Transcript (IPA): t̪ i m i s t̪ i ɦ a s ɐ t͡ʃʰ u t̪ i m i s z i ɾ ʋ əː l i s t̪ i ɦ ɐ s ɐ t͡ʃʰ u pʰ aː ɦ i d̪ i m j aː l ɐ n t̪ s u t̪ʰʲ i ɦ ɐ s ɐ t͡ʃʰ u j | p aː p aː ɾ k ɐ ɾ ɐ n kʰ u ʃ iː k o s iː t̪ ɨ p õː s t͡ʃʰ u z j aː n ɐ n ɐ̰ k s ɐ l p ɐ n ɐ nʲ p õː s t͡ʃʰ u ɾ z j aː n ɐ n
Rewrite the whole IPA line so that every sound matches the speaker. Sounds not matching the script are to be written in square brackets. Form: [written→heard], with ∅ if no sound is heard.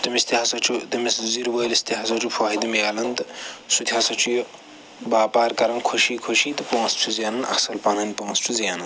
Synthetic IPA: t̪ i m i s t̪ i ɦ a s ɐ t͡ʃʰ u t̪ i m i s z i ɾ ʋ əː l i s t̪ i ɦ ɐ s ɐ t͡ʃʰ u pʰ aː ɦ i d̪ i m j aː l ɐ n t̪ s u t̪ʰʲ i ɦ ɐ s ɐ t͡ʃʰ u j | [p→b] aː p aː ɾ k ɐ ɾ ɐ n kʰ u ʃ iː [k→kʰ] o [s→ʃ] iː t̪ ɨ p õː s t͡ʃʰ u z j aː n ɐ n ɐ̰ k s ɐ l p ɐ n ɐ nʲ p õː s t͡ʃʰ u [ɾ→∅] z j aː n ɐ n

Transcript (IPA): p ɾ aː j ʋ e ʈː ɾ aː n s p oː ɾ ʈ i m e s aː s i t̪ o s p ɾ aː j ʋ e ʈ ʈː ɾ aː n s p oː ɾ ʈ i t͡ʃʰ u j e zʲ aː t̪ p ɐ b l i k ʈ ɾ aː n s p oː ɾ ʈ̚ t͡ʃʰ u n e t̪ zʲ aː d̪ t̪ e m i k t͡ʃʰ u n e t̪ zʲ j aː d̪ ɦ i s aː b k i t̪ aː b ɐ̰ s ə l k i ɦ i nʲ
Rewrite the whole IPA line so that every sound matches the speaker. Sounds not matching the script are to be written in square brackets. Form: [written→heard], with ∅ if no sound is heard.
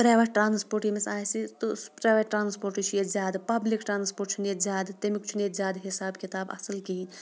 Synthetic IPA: p ɾ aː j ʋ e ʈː ɾ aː n s p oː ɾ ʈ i m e s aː s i t̪ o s p ɾ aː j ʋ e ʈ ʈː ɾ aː n s p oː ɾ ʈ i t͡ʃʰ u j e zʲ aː [t̪→d̪] p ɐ b l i k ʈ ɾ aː n s p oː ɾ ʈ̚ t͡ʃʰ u n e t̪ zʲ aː d̪ t̪ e m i k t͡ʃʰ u n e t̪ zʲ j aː d̪ ɦ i s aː b k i t̪ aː b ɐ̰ s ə l k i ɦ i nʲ

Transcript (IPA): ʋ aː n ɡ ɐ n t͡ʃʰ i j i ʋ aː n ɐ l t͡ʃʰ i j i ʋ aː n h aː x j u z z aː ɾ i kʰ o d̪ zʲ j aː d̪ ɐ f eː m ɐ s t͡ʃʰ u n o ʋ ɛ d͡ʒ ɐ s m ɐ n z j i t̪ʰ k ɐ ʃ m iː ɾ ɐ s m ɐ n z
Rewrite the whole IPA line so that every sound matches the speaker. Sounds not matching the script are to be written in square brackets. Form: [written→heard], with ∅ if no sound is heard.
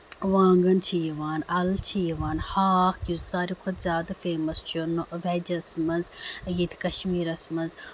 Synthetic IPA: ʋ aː [n→ŋ] ɡ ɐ n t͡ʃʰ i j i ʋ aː n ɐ l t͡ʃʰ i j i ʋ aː n h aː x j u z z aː ɾ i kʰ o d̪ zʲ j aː d̪ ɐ f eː m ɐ s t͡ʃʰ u n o ʋ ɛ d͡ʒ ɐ s m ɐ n z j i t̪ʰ k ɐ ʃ m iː ɾ ɐ s m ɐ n z

